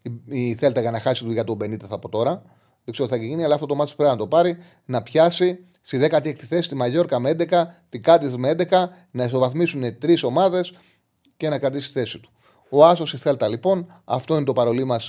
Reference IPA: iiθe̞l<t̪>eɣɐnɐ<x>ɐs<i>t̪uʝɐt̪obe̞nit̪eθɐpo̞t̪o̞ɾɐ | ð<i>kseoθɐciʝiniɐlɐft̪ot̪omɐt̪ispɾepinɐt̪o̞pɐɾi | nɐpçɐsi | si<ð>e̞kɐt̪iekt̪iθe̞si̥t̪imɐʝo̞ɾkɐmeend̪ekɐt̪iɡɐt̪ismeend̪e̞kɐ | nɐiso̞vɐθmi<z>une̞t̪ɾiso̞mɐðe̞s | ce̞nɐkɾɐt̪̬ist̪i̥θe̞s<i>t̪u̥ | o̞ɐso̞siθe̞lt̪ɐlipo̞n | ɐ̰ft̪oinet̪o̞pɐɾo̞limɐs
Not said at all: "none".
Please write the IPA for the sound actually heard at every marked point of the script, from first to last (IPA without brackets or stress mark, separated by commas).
t̪, x, i, e, ð, s, i